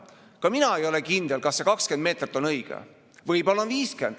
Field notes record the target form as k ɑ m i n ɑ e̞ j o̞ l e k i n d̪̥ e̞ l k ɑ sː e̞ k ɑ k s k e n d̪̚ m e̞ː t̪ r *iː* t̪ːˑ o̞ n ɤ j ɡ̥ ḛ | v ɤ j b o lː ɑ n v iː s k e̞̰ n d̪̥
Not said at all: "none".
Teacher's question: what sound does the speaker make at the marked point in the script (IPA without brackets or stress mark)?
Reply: i